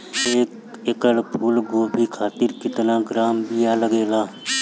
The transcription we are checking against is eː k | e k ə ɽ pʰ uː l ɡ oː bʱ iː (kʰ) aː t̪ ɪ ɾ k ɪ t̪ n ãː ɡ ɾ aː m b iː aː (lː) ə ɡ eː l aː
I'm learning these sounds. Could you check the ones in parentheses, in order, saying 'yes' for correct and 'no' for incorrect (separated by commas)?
yes, no